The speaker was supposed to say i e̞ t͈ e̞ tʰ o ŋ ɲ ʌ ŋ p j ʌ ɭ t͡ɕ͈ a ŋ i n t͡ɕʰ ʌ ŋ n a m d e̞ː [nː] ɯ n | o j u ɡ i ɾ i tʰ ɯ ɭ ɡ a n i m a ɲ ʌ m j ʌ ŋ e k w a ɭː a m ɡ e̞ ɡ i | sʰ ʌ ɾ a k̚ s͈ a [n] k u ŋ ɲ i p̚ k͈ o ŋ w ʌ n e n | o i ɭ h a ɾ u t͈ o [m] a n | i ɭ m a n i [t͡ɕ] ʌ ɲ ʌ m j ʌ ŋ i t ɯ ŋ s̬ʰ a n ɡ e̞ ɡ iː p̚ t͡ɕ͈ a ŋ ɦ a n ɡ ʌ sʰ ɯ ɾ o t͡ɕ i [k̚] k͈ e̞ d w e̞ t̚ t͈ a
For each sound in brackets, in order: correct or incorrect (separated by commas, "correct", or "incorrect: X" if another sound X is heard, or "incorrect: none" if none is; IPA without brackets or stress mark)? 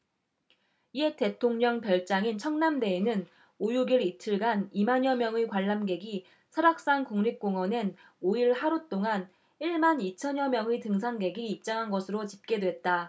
incorrect: n, incorrect: ŋ, incorrect: ŋ, incorrect: t͡ɕʰ, incorrect: p̚